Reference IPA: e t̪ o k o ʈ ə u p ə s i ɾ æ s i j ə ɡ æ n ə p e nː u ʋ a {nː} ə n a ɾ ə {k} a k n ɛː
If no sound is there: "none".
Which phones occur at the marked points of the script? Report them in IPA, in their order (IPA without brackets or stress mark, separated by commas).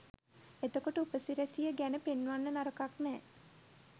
nː, k